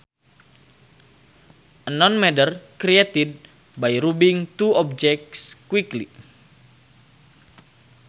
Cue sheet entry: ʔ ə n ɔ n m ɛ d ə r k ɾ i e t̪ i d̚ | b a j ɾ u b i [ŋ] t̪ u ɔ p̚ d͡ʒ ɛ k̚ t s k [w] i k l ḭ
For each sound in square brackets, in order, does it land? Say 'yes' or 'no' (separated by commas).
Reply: yes, yes